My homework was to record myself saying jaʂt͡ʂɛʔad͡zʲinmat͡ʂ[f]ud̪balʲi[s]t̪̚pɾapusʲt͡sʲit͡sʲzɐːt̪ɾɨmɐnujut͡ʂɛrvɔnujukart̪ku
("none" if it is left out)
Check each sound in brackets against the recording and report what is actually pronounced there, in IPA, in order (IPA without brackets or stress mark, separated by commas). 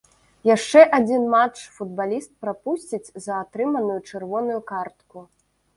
f, s